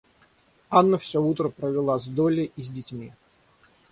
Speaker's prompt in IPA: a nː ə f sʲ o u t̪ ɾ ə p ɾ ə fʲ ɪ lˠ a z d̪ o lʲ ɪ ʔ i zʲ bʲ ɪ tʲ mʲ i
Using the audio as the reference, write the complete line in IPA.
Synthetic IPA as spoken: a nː ə f sʲ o u t̪ ɾ ə p ɾ ə vʲ ɪ lˠ a z d̪ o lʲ ɪ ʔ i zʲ dʲ ɪ tʲ mʲ i